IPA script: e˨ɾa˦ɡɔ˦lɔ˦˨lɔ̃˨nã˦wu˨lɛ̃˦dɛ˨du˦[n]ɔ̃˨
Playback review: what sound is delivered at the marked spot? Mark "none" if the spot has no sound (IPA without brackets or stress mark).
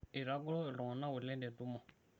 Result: m